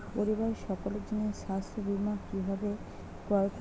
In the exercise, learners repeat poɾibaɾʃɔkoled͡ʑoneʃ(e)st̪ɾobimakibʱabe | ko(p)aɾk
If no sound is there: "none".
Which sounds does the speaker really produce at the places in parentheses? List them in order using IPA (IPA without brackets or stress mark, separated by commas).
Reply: a, none